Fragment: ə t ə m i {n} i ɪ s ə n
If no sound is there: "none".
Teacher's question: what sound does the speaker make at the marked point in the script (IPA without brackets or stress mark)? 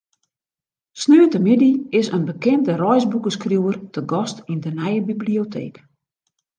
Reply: d